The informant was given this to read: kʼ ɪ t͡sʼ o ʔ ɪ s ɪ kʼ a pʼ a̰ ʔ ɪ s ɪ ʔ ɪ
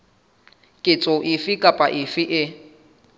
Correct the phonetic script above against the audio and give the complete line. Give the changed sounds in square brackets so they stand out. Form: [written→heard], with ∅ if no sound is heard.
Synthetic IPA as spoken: kʼ ɪ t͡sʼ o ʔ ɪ [s→f] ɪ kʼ a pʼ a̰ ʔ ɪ [s→f] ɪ ʔ ɪ